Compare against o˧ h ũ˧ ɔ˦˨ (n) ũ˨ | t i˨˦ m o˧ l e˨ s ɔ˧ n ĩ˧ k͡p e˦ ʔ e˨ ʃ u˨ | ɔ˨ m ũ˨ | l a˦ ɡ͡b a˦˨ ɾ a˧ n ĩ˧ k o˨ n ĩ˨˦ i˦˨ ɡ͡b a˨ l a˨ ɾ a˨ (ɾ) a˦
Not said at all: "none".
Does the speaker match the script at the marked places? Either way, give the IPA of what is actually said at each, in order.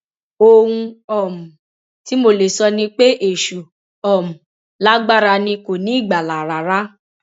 m, ɾ

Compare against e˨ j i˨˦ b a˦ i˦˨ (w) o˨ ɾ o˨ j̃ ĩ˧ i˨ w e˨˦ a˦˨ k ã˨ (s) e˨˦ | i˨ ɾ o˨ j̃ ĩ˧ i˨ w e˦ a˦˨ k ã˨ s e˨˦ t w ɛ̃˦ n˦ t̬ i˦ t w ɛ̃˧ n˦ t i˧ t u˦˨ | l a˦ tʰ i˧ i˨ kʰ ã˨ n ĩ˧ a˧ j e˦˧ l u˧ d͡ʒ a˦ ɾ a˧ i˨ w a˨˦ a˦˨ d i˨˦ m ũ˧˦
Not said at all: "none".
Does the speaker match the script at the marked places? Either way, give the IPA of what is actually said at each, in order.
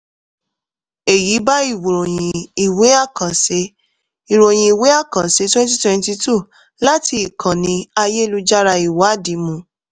w, s

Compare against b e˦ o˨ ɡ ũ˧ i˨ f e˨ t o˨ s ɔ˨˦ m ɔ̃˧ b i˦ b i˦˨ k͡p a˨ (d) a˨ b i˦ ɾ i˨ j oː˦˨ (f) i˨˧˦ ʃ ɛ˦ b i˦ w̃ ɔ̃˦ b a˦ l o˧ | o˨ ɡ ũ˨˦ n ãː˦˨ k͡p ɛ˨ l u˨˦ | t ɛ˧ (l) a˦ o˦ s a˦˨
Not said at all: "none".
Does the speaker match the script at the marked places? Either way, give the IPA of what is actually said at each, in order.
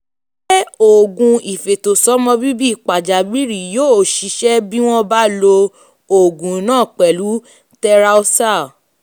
d͡ʒ, ʃ, ɾ

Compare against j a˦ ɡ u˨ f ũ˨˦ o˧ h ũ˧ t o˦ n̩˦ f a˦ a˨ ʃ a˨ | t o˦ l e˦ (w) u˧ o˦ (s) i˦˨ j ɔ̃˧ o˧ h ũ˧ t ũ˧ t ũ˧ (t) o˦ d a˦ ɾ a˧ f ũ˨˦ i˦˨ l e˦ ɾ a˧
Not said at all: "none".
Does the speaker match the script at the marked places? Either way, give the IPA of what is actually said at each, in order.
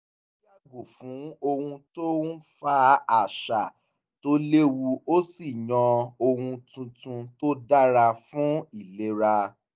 w, s, t

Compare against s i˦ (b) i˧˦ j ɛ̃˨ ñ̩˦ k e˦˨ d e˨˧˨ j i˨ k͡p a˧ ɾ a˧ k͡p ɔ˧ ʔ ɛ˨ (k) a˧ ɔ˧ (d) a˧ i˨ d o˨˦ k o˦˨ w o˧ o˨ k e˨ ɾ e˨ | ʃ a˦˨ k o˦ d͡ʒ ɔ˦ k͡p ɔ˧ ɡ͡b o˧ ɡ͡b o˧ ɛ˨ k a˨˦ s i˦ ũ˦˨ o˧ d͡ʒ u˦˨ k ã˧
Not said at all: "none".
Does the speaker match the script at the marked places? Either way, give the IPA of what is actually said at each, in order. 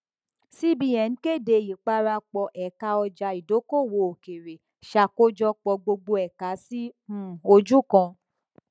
b, k, d͡ʒ

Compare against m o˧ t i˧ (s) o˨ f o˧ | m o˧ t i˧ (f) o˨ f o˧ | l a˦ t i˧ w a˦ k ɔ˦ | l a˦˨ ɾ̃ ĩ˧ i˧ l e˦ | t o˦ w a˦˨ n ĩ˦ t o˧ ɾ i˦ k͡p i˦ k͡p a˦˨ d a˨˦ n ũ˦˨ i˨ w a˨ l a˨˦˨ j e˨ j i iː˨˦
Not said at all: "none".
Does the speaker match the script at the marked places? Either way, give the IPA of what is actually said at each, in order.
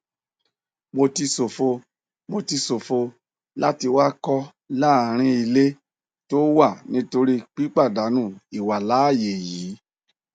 s, s

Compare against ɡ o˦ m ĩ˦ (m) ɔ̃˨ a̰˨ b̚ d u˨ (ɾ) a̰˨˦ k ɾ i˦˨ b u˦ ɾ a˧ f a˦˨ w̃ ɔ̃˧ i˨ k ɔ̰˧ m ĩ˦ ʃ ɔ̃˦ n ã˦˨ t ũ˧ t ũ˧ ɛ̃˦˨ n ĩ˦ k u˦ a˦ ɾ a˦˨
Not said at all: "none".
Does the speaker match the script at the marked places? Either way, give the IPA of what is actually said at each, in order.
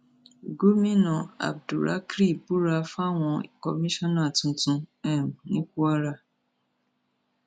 n, ɾ

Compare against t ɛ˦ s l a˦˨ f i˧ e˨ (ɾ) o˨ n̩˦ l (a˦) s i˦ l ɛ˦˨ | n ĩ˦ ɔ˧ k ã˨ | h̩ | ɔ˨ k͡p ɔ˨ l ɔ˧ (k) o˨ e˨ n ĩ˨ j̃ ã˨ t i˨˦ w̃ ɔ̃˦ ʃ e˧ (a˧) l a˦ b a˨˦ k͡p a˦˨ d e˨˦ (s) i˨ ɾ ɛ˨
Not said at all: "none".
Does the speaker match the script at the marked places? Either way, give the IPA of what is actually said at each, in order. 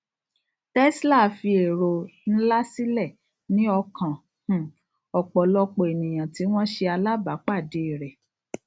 ɾ, a˦, k͡p, a˧, none

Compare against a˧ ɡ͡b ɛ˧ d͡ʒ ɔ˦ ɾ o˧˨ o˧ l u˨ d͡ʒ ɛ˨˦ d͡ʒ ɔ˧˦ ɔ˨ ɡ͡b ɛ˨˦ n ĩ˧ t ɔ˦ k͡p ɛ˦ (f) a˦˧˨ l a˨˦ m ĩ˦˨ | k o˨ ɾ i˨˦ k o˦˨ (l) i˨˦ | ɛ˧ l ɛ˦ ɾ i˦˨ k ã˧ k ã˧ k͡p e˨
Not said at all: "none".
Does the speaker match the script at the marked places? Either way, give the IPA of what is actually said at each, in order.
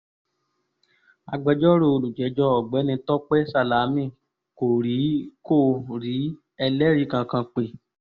s, ɾ

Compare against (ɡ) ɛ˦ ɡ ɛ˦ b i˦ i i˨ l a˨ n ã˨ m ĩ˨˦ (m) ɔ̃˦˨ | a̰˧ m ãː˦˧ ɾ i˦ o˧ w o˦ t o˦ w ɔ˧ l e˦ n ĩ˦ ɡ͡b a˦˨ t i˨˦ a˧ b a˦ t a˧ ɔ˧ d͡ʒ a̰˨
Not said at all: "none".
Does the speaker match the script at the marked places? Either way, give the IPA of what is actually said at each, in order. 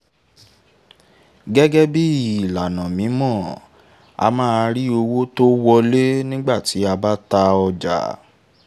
ɡ, m

